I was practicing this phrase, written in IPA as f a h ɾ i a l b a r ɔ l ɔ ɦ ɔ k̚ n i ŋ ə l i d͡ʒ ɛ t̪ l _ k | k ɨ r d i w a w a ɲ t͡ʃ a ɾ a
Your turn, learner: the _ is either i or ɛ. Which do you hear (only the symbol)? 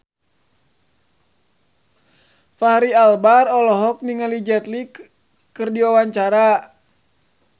i